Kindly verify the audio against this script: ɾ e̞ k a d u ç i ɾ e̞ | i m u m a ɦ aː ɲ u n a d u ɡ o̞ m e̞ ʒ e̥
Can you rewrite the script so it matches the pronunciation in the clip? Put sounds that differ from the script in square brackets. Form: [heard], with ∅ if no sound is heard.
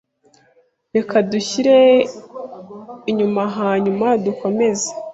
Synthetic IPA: ɾ e̞ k a d u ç i ɾ e̞ | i [ɲ] u m a ɦ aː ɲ u [m] a d u [k] o̞ m e̞ [z] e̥